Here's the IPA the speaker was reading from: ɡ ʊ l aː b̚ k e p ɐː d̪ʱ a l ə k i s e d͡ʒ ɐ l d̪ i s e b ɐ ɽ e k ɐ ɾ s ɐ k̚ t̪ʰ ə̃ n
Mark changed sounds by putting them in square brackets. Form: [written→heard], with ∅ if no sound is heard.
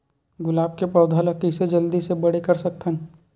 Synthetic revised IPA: ɡ ʊ l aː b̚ k e p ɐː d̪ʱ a l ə k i s e d͡ʒ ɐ l d̪ i s e b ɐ ɽ e k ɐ ɾ s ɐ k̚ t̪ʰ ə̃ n